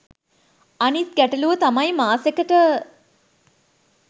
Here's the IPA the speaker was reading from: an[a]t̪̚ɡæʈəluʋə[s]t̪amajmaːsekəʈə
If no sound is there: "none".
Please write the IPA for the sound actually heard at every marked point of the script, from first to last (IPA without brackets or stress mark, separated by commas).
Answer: i, none